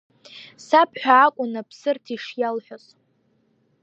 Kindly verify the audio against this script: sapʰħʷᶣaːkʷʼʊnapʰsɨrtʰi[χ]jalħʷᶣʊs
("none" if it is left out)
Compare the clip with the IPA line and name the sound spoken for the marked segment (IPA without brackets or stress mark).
ʂ